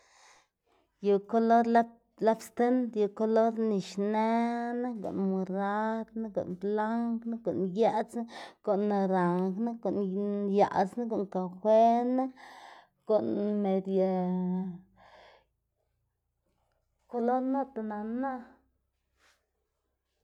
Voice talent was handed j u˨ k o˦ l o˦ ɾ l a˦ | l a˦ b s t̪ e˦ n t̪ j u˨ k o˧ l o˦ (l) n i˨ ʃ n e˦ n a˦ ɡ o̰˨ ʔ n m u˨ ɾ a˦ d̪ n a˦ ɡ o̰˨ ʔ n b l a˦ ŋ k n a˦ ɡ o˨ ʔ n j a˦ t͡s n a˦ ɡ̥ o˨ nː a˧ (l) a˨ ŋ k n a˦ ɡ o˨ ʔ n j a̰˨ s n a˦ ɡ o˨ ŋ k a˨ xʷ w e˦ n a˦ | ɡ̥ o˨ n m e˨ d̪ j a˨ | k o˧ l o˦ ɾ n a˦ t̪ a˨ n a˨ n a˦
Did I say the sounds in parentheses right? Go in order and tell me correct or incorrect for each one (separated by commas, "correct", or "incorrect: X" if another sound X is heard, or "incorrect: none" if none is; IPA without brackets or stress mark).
incorrect: ɾ, incorrect: ɾ